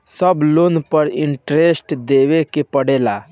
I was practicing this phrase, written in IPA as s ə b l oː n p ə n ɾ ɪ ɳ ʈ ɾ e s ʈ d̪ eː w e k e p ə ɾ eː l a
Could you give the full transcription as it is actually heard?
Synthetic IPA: s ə b l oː n p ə ɾ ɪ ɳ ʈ ɾ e s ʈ d̪ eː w e k e p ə ɽ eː l a